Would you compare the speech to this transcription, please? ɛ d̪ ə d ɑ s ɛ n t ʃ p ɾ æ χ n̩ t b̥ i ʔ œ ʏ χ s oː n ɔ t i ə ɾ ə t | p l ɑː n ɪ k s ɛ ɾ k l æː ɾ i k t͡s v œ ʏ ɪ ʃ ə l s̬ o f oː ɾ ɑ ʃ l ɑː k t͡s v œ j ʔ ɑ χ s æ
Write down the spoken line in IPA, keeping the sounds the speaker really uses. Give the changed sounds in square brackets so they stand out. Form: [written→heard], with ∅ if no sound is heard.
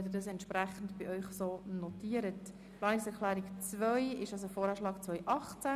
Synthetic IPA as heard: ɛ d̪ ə d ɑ s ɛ n t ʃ p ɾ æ χ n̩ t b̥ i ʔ œ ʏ χ s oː n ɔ t i ə ɾ ə t | p l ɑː n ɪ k s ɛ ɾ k l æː ɾ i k t͡s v œ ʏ ɪ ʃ [ə→ɑ] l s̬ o f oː ɾ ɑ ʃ l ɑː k t͡s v œ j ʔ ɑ χ [s→t͡s] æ